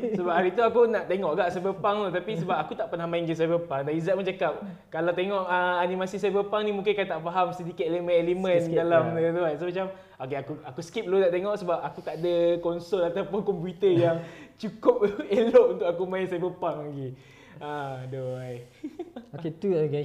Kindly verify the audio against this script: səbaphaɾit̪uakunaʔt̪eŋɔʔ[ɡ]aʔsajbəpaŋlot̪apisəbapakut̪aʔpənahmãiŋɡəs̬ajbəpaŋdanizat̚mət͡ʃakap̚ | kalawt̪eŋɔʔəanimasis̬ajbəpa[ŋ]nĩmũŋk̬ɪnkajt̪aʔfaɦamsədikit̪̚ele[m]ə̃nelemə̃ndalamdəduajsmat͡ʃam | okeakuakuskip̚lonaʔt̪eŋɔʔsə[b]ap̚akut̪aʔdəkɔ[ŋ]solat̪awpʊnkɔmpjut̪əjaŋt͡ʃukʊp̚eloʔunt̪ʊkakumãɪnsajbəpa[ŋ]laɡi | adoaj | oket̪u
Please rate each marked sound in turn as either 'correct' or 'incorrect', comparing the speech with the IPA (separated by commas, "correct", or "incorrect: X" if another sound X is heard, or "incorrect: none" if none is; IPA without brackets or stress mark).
correct, correct, correct, correct, incorrect: n, correct